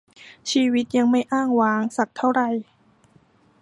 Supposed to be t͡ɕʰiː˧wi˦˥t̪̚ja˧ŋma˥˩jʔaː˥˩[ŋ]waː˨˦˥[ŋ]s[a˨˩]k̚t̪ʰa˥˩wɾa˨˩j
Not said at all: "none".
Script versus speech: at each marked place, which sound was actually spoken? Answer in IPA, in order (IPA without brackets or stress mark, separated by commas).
ŋ, ŋ, a˨˩